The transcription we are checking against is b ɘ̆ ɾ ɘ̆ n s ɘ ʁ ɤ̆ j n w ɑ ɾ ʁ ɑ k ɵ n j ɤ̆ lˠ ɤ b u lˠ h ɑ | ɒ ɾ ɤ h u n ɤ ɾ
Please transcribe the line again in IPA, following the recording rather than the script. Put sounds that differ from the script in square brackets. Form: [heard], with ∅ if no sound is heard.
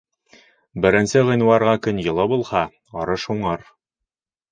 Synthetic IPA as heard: b ɘ̆ ɾ ɘ̆ n s ɘ ʁ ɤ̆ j n w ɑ ɾ ʁ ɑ k ɵ n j ɤ̆ lˠ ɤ b u lˠ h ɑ | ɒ ɾ ɤ [ʃ] u [ɴ] ɤ ɾ